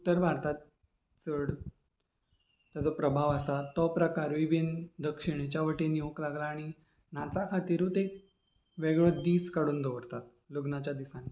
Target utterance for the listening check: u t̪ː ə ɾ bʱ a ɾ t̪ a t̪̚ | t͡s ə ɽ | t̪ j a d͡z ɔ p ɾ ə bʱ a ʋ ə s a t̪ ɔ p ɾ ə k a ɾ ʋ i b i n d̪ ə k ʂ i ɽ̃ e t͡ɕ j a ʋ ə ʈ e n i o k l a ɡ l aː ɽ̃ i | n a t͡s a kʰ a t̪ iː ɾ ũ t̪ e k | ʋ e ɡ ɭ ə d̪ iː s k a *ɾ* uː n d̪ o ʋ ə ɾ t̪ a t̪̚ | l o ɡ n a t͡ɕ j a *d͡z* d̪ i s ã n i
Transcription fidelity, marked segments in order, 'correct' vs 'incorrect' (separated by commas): incorrect, incorrect